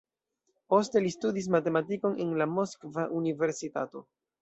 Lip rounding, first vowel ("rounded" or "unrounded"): rounded